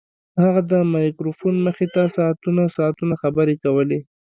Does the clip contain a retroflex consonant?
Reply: no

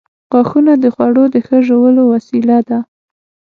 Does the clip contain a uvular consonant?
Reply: no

